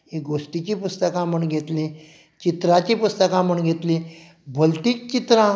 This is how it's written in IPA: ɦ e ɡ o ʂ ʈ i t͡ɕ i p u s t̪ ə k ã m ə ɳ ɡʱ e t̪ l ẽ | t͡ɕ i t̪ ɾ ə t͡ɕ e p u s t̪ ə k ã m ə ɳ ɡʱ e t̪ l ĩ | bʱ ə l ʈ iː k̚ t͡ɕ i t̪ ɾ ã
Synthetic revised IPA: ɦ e ɡ o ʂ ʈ i t͡ɕ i p u s t̪ ə k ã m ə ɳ ɡʱ e t̪ l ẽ | t͡ɕ i t̪ ɾ a t͡ɕ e p u s t̪ ə k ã m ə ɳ ɡʱ e t̪ l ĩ | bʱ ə l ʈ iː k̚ t͡ɕ i t̪ ɾ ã